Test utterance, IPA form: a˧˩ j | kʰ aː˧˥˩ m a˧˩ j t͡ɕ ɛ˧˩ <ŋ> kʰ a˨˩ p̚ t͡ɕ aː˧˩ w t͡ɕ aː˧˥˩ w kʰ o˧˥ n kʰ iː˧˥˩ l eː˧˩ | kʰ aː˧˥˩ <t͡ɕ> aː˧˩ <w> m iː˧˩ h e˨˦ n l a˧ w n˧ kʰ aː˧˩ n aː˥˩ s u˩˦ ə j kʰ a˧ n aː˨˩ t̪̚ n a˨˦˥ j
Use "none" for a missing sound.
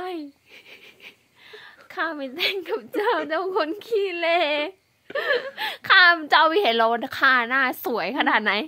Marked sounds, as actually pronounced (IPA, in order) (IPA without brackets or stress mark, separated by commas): ŋ, t͡ɕ, w